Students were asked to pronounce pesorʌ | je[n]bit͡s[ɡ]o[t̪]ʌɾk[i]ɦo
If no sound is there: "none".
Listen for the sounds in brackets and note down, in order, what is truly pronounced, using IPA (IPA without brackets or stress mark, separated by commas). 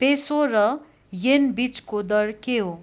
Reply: n, k, d̪, e